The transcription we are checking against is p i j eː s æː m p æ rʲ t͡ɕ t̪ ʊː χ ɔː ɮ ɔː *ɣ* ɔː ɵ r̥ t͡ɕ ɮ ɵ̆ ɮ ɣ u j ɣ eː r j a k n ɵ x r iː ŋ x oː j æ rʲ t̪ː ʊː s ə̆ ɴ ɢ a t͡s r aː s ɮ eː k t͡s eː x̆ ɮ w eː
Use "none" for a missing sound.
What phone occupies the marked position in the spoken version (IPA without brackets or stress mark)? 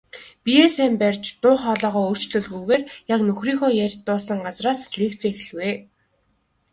ʁ